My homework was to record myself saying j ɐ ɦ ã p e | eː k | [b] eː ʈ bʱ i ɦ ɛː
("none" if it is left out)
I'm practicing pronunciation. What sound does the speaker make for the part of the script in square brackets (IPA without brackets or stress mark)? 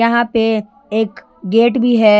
ɡ